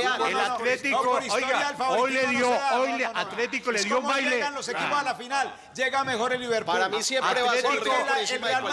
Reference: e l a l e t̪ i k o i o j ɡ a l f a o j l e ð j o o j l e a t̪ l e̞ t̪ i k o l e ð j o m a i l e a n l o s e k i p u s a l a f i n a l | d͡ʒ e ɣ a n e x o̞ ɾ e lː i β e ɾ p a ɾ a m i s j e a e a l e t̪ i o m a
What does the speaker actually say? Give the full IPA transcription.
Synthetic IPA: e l a l e t̪ i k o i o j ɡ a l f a o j l e ð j o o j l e a t̪ l e̞ t̪ i k o l e ð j o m a j l e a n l o s e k i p o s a l a f i n a l | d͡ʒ e ɣ a m e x o̞ ɾ e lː i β e ɾ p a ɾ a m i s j e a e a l e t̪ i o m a